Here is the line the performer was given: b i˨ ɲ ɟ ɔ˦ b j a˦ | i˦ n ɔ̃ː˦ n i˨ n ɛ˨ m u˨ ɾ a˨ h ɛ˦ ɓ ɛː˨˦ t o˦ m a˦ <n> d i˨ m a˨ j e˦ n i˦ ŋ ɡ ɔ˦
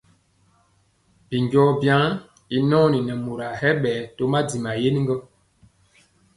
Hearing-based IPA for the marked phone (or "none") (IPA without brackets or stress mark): none